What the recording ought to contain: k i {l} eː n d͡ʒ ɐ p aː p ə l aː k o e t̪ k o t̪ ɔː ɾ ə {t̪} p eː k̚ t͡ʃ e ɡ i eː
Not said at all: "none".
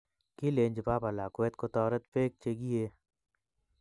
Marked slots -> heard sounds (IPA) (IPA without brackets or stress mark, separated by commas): l, t̪